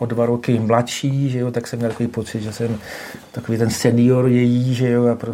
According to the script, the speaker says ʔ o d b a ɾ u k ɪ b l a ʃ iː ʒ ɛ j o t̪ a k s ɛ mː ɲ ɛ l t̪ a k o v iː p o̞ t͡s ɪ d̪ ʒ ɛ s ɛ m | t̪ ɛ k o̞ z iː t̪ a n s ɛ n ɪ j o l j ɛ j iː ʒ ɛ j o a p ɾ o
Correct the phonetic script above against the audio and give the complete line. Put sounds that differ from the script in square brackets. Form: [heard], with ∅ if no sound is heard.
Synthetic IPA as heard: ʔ o d [v] a ɾ [o] k ɪ [m] l a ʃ iː ʒ ɛ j o t̪ a k s ɛ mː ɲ ɛ l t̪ a k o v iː p o̞ t͡s ɪ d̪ ʒ ɛ s ɛ m | t̪ [a] k o̞ [v] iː t̪ [ɛ] n s ɛ n ɪ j o [ɾ] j ɛ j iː ʒ ɛ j o a p ɾ o